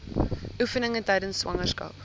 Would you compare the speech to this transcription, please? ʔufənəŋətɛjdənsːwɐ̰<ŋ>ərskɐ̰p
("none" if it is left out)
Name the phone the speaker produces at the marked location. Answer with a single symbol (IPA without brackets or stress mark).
ŋ